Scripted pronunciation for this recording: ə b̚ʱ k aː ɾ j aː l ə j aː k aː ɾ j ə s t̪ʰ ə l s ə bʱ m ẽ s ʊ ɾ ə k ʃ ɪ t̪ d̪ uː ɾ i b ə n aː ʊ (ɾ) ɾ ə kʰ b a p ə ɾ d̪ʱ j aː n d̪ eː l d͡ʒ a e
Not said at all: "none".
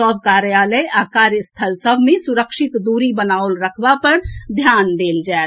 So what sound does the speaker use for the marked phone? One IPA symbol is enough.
l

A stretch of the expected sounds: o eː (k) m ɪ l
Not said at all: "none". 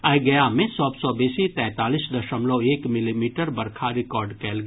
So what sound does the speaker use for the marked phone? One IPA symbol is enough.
k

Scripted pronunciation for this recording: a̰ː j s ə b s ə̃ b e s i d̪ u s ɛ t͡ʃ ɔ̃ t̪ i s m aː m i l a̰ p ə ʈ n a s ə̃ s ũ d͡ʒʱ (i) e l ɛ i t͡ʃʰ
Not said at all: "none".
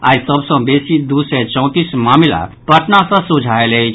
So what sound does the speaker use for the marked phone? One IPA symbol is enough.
a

